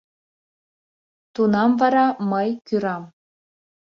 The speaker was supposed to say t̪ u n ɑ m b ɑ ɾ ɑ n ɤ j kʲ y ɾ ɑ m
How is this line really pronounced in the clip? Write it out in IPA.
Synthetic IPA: t̪ u n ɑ m v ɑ ɾ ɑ m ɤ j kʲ y ɾ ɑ m